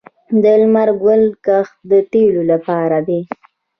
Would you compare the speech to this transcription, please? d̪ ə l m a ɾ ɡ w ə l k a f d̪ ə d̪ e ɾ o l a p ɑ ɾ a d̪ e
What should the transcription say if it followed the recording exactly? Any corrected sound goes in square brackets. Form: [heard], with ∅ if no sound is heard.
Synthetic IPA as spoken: d̪ ə l m a ɾ ɡ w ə l k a [x] d̪ ə [t̪] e [l] o l a p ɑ ɾ a d̪ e